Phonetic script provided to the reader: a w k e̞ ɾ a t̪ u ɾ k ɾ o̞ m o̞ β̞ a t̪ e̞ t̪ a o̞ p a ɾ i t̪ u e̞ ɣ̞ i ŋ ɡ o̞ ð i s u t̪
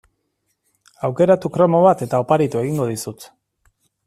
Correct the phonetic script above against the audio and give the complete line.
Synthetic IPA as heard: a w k e̞ ɾ a t̪ u k ɾ o̞ m o̞ β̞ a t̪ e̞ t̪ a o̞ p a ɾ i t̪ u e̞ ɣ̞ i ŋ ɡ o̞ ð i s u t̪